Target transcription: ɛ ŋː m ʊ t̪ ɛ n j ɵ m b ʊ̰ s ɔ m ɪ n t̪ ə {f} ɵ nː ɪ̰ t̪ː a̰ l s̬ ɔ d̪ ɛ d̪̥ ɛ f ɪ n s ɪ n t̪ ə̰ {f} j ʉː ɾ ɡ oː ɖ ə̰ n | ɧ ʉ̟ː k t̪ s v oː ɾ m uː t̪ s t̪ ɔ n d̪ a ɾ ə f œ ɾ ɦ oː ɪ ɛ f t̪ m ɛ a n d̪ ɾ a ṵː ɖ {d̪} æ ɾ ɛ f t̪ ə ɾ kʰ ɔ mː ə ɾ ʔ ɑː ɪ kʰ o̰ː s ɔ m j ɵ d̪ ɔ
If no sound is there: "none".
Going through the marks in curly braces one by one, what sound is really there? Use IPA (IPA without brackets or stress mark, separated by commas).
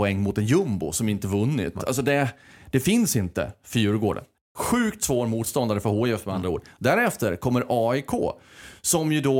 v, f, d̪